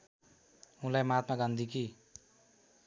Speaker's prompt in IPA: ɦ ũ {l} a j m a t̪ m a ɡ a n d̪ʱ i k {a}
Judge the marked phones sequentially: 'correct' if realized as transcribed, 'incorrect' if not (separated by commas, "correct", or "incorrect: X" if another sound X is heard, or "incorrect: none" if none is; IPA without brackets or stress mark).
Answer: correct, incorrect: i